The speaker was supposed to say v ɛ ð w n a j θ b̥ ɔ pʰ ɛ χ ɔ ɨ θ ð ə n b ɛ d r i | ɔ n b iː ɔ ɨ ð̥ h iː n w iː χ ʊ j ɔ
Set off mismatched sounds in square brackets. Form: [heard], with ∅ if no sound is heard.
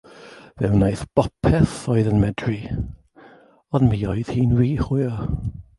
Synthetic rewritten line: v ɛ [∅] w n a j θ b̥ ɔ pʰ ɛ [θ] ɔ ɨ [∅] ð ə n [m] ɛ d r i | ɔ n [m] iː ɔ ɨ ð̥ h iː n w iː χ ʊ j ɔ